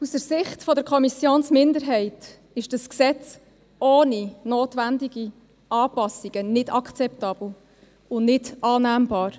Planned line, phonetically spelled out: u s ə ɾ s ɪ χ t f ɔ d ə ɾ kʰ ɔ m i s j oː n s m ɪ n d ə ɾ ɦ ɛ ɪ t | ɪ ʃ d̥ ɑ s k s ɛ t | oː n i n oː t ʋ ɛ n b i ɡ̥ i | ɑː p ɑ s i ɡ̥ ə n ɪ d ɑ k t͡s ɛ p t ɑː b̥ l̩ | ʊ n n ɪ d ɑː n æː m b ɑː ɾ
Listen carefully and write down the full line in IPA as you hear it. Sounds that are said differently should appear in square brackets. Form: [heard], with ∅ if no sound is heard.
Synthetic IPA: u s ə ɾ s ɪ χ t f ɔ d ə ɾ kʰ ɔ m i s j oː n s m ɪ n d ə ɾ ɦ ɛ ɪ t | ɪ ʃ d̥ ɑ s k s ɛ [t͡s] | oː n i n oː t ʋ [æ] n [d] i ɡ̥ i | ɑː p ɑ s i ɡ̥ ə n ɪ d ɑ k t͡s ɛ p t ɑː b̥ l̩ | ʊ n n ɪ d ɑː n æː m b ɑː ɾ